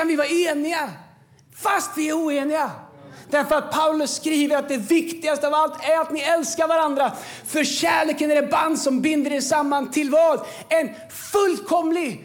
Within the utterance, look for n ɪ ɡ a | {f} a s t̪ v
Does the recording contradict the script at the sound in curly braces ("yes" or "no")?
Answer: no